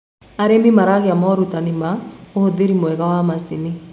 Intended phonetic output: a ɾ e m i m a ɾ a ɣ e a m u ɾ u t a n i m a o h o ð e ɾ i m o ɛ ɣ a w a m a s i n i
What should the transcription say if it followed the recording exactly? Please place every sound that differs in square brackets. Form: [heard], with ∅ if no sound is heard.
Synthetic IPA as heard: a ɾ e m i m a ɾ a ɣ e a m [ɔ] ɾ u t a n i m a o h o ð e ɾ i m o ɛ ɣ a w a m a s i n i